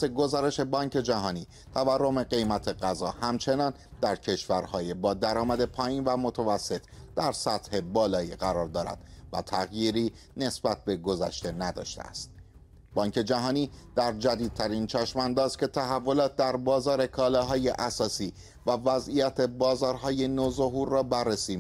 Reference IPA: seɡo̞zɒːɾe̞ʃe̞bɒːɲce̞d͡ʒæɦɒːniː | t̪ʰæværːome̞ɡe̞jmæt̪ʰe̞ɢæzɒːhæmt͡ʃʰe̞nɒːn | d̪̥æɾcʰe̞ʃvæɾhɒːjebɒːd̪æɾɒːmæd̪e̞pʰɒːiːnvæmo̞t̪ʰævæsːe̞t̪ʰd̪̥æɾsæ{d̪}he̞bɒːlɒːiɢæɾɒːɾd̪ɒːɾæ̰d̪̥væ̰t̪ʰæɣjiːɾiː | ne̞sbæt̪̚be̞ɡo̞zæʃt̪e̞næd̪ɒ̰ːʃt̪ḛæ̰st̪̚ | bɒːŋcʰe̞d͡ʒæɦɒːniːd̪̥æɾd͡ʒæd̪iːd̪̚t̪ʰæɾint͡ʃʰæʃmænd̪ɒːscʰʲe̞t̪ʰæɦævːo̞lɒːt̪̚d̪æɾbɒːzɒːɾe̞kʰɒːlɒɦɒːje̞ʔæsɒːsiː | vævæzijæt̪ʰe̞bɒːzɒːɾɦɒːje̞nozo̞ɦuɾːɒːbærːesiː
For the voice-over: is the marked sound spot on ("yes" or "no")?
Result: no